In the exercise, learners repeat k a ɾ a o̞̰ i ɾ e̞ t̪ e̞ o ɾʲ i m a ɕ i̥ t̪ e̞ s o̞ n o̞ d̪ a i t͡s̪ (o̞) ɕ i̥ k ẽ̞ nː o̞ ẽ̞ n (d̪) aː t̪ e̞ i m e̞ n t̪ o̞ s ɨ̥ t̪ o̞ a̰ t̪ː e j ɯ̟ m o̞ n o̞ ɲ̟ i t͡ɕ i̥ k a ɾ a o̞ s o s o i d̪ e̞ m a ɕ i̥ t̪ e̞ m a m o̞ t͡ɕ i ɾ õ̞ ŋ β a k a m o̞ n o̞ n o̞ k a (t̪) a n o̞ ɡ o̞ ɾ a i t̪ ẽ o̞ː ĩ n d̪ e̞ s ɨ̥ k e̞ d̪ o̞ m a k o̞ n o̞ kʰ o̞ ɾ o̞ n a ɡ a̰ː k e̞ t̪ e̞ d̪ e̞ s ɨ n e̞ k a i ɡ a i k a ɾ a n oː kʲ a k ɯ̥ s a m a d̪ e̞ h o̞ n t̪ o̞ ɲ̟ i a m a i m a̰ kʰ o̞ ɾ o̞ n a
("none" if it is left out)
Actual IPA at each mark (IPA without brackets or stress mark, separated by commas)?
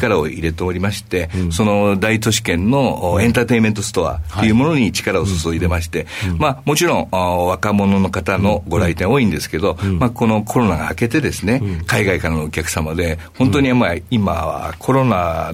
o̞, t̪, t̪